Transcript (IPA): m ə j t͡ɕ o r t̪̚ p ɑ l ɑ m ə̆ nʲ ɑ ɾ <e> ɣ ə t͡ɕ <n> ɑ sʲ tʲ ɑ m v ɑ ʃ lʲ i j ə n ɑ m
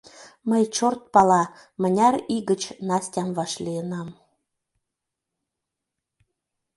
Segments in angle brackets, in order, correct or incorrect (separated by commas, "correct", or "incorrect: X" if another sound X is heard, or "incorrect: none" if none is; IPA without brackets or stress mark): incorrect: i, correct